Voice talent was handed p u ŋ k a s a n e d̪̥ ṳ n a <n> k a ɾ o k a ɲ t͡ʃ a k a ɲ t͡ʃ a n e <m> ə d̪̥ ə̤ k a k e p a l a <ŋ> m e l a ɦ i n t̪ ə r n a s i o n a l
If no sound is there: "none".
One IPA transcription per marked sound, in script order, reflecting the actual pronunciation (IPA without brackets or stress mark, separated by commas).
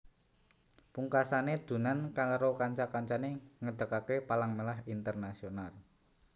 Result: n, ŋ, ŋ